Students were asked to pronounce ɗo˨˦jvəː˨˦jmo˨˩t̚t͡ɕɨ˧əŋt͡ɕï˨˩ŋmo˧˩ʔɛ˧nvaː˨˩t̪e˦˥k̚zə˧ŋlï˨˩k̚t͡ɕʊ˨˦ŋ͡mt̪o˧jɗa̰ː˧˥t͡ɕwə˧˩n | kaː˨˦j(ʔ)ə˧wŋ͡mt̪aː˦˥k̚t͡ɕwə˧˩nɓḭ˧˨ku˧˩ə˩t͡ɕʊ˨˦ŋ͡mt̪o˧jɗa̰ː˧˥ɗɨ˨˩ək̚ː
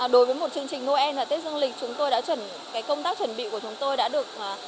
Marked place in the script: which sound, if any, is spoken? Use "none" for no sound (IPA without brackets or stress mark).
k